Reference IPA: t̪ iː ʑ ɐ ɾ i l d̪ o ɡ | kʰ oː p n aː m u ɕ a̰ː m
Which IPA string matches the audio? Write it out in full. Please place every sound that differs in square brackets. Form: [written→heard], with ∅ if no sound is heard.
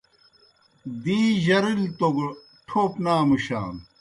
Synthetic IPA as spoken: [t̪→d̪] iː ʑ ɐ ɾ i l [d̪→t̪] o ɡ | [kʰ→ʈʰ] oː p n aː m u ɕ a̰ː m